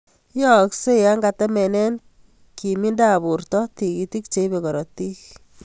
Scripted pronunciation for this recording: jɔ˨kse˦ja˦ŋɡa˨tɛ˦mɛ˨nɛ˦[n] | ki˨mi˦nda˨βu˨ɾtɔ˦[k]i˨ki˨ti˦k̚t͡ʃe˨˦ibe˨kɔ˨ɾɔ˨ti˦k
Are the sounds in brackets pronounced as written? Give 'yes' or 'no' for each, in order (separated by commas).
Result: yes, no